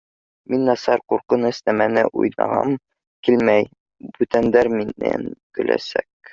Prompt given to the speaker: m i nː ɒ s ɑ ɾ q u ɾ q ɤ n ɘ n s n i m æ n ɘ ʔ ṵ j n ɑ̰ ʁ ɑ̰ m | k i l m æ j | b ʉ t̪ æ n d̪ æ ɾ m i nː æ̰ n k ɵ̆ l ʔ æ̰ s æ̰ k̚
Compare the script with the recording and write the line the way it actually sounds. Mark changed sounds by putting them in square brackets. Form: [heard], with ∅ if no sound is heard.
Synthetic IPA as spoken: m i nː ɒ s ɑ ɾ q u ɾ q ɤ n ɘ [∅] s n [æ] m æ n ɘ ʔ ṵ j n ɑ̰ ʁ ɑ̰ m | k i l m æ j | b ʉ t̪ æ n d̪ æ ɾ m i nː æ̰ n k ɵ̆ l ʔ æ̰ s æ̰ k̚